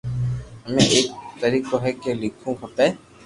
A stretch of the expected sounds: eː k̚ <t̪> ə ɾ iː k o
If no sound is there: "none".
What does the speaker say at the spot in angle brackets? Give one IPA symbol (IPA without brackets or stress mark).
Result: t̪